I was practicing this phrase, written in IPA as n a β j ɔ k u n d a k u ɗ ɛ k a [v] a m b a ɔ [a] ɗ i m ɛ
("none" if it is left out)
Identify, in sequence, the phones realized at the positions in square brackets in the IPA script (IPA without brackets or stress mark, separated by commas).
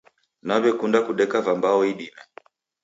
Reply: v, i